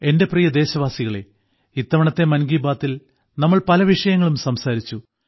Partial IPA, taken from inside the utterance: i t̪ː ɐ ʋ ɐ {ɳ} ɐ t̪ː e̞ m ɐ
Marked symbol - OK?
yes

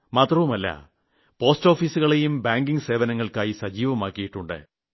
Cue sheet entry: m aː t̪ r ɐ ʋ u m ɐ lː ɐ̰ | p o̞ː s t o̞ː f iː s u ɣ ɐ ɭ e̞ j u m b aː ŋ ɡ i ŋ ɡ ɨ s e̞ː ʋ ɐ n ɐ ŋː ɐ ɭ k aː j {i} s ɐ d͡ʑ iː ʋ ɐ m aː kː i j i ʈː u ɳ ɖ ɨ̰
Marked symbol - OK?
yes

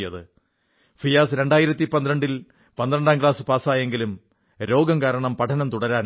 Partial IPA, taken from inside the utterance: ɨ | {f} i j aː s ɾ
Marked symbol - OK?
yes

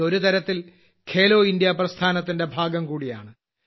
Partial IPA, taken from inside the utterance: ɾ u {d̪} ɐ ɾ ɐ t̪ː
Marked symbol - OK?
no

